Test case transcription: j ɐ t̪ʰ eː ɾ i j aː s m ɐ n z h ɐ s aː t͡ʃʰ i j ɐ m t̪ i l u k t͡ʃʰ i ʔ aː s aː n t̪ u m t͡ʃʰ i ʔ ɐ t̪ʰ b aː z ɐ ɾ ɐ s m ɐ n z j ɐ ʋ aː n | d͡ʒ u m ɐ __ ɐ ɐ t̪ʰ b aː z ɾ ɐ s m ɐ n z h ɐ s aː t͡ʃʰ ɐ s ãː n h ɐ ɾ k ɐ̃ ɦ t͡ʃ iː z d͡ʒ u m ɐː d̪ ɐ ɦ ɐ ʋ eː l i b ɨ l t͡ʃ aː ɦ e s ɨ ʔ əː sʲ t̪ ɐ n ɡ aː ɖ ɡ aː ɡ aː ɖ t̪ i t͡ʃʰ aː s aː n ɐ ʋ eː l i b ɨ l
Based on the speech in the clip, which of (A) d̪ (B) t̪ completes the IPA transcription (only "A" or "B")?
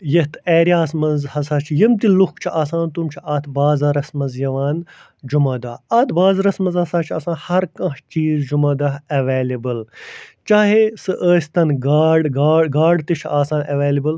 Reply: A